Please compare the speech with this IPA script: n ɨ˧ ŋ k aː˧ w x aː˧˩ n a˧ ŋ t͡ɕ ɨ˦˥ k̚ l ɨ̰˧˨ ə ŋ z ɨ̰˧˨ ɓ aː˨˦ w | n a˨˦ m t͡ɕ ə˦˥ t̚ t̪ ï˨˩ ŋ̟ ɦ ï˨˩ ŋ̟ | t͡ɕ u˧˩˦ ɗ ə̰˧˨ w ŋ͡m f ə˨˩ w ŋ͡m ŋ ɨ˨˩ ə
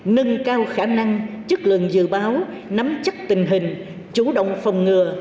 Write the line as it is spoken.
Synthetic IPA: n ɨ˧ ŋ k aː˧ w x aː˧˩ n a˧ ŋ t͡ɕ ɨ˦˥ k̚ l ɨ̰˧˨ ə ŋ z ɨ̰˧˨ ɓ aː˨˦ w | n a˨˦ m t͡ɕ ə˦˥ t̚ t̪ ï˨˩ ŋ̟ ɦ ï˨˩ ŋ̟ | t͡ɕ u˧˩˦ ɗ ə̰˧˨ w ŋ͡m f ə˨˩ w ŋ͡m ŋ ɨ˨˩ ə